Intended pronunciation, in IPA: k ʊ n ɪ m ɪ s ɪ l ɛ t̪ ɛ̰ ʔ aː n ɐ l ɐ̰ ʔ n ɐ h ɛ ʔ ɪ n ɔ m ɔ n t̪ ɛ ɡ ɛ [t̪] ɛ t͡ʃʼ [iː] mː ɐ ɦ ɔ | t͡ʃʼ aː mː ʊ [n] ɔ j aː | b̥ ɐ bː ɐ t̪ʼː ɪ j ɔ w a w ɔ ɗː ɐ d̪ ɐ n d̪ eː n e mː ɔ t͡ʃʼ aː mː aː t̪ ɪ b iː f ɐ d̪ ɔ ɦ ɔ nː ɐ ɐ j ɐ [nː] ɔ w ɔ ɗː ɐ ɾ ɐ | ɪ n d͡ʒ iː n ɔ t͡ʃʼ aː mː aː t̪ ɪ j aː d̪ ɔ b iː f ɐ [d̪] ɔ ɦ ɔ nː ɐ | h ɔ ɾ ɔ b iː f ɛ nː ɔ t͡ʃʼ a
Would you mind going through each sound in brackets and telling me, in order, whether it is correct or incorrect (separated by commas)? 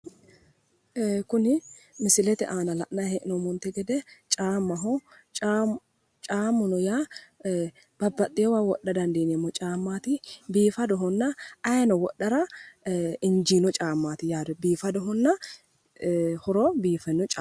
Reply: incorrect, incorrect, correct, incorrect, correct